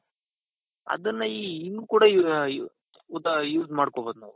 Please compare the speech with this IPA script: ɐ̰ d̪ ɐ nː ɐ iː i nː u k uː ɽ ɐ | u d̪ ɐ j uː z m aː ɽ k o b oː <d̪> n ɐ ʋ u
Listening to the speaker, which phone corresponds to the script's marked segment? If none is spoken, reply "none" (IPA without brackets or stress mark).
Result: d̪